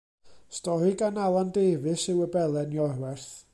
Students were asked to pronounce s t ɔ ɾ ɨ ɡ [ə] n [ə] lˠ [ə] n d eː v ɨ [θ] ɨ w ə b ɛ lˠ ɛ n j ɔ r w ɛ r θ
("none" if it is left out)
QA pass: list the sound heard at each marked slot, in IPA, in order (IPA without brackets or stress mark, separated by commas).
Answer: a, a, a, s